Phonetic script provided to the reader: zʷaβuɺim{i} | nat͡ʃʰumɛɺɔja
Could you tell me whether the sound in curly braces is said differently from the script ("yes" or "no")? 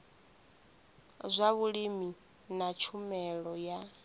no